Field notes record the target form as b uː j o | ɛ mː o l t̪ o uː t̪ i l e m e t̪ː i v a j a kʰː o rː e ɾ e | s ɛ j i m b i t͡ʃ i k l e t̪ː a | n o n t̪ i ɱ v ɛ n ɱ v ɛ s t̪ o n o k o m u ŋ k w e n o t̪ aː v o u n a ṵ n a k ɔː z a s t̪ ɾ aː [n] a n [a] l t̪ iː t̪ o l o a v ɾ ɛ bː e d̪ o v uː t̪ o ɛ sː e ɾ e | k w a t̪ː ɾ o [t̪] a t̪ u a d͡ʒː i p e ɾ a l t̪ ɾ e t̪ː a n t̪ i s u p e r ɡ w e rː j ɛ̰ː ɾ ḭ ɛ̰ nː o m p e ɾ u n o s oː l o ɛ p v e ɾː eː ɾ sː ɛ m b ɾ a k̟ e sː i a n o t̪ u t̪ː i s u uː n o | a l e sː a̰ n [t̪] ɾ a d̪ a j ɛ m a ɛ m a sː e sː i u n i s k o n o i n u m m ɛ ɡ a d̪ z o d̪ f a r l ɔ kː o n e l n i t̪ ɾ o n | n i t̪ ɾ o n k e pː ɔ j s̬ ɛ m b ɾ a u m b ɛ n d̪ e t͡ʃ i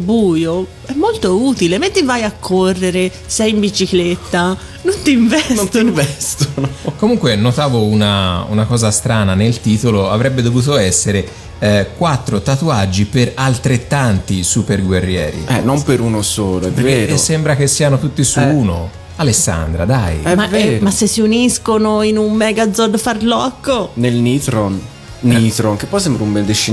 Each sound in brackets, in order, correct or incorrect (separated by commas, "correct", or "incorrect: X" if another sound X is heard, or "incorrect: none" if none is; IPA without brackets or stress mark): correct, incorrect: e, correct, incorrect: d̪